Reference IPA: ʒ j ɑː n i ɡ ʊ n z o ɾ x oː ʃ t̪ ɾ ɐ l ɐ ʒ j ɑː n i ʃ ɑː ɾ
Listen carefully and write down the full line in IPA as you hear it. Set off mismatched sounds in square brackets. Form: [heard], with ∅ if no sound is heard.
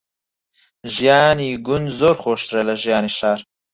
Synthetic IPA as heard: ʒ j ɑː n i ɡ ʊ n z o ɾ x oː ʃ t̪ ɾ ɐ l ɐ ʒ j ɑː n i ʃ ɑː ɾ

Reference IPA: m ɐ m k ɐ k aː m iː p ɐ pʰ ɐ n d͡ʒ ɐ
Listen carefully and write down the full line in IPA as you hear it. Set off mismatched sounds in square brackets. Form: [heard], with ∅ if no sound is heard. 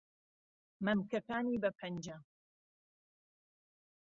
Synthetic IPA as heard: m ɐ m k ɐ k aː [n] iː [b] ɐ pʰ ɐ n d͡ʒ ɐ

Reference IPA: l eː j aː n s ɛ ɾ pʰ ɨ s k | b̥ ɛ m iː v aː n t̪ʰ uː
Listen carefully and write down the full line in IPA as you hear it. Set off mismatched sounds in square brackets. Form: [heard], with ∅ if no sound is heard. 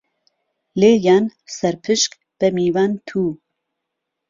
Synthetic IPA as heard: l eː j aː n s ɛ ɾ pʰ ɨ [ʃ] k | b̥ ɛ m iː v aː n t̪ʰ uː

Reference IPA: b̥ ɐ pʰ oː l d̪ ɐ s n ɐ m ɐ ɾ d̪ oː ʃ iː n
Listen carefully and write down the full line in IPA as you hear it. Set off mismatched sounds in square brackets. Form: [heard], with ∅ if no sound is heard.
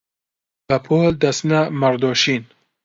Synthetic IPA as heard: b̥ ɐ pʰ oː l d̪ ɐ s n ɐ m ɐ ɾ d̪ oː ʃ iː n

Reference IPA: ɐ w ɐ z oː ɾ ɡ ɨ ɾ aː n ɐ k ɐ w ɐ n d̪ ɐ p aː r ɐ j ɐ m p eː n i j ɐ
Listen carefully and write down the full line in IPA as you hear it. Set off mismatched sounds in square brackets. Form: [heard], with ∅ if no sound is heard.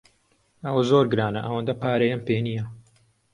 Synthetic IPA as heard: ɐ w ɐ z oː ɾ ɡ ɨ ɾ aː n ɐ [ʔ] ɐ w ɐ n d̪ ɐ p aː [ɾ] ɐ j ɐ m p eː n i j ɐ

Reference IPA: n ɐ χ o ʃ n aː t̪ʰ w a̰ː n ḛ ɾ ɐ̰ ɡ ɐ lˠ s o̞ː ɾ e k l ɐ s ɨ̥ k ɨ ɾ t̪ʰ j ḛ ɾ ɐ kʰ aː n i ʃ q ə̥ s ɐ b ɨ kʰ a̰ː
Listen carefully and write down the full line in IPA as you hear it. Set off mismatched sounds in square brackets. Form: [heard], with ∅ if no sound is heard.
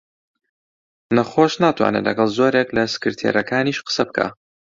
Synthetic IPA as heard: n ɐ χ o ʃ n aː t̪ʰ w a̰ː n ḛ [l] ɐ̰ ɡ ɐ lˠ [z] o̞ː ɾ e k l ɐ s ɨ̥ k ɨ ɾ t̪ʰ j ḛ ɾ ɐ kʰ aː n i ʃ q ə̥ s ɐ b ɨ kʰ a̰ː

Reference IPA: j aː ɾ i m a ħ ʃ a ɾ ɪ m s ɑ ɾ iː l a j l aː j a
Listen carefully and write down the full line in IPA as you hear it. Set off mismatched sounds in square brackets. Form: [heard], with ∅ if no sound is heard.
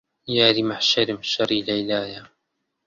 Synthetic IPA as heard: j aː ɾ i m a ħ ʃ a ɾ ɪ m [ʃ] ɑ ɾ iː l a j l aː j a

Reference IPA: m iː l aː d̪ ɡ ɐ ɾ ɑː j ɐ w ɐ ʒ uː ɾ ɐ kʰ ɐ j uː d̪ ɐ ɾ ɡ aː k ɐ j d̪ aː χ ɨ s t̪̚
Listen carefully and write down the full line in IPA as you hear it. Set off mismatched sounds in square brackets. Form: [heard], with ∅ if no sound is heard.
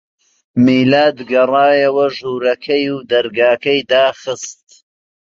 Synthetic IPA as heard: m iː l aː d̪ ɡ ɐ [r] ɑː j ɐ w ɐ ʒ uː ɾ ɐ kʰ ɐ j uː d̪ ɐ ɾ ɡ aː k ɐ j d̪ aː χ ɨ s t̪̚

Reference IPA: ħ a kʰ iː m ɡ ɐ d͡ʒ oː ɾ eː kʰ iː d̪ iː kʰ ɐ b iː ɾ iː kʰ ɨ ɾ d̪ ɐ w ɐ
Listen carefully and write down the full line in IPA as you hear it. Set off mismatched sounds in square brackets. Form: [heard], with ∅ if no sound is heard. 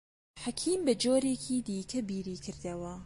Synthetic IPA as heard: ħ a kʰ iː m [b] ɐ d͡ʒ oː ɾ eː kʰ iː d̪ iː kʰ ɐ b iː ɾ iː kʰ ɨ ɾ d̪ ɐ w ɐ

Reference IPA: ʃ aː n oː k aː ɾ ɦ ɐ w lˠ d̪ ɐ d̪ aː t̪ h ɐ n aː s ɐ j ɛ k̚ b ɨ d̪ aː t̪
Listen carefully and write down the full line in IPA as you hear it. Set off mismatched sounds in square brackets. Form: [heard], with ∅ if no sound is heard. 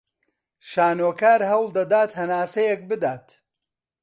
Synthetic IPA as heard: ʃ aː n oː k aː ɾ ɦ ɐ w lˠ d̪ ɐ d̪ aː t̪ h ɐ n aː s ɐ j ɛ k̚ b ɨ d̪ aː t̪

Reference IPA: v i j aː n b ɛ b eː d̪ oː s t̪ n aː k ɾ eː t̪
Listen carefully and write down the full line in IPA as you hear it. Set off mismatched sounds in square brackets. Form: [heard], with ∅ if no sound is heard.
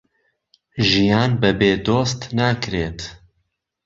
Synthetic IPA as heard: [ʒ] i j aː n b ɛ b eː d̪ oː s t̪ n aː k ɾ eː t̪

